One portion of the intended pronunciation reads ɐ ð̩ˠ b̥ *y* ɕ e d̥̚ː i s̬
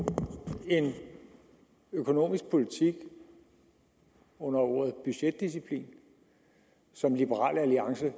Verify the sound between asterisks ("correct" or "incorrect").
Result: correct